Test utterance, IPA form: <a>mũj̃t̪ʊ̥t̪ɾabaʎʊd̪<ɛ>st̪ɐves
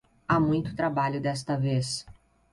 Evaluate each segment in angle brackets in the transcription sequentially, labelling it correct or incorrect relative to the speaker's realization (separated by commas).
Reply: correct, correct